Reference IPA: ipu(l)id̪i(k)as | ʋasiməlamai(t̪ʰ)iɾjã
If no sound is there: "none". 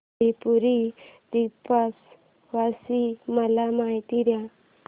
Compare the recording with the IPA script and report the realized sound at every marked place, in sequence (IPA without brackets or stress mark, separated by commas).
ɾ, p, t̪